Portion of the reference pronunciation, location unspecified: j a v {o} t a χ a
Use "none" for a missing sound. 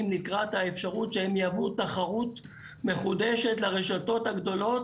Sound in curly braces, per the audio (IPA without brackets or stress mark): u